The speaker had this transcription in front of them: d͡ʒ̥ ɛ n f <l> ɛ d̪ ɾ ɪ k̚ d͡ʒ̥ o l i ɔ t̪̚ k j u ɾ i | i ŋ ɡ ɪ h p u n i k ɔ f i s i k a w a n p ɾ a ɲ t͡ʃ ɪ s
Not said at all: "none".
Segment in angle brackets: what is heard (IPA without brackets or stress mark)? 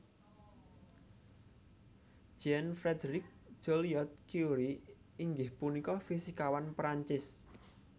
ɾ